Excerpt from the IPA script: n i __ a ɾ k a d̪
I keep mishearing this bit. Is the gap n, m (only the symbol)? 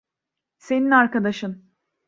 n